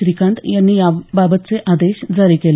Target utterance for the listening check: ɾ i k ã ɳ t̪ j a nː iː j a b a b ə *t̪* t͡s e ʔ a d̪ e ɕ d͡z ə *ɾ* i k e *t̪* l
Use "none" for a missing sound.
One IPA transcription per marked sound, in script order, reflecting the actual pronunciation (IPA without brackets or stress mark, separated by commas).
t̪, ɾ, none